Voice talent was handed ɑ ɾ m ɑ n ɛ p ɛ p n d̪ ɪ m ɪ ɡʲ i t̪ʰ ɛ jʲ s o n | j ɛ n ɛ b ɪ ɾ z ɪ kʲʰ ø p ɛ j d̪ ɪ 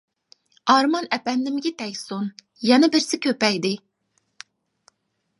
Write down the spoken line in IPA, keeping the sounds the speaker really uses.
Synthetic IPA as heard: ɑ ɾ m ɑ n ɛ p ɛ n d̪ ɪ m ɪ ɡʲ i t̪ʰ ɛ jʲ s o n | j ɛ n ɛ b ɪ ɾ s ɪ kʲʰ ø p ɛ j d̪ ɪ